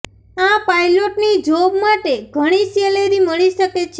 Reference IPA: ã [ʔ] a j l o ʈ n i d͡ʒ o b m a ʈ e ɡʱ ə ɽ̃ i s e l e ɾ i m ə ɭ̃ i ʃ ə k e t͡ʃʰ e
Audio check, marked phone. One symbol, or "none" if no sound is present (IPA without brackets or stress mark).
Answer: p